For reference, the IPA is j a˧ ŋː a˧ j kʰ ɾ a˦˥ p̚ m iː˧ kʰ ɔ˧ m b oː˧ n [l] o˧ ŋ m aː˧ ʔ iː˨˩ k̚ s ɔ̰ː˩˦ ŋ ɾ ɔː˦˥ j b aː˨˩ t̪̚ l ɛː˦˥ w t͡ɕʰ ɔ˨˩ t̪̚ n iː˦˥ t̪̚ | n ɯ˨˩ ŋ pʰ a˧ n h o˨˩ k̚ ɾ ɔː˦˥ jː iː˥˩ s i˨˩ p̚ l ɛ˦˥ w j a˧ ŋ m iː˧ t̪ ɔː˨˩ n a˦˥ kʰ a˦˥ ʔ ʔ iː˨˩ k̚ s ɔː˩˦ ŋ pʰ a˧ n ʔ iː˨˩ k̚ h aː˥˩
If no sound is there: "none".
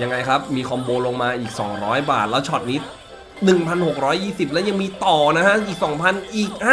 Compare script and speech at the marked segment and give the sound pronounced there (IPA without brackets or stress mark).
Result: l